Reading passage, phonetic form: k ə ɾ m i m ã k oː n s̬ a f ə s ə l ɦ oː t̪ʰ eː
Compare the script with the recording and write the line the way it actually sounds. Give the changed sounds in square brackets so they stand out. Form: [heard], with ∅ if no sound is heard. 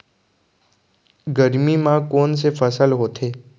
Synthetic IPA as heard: [ɡ] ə ɾ m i m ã k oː n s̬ [e] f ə s ə l ɦ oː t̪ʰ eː